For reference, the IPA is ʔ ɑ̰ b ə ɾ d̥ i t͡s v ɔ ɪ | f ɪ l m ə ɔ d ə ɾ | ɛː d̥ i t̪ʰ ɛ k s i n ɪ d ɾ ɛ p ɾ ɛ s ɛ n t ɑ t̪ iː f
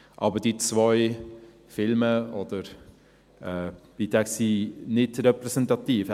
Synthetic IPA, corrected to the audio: ʔ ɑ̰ b ə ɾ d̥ i t͡s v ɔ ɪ | f ɪ l m ə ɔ d ə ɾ | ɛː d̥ i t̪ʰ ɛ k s i n ɪ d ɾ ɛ p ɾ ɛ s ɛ n t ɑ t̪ iː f